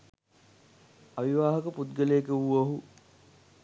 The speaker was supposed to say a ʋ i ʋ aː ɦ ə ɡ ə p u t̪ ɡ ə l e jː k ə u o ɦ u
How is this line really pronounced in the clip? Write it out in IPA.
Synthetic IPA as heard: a ʋ i ʋ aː ɦ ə k ə p u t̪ ɡ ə l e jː k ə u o ɦ u